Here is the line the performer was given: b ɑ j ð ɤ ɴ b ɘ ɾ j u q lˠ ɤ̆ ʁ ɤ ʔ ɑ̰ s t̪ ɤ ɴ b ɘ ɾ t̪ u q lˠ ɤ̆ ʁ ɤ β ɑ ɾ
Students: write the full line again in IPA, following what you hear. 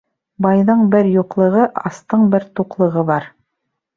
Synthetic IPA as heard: b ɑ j ð ɤ ɴ b ɘ ɾ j u q lˠ ɤ̆ ʁ ɤ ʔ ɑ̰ s t̪ ɤ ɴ b ɘ ɾ t̪ u q lˠ ɤ̆ ʁ ɤ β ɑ ɾ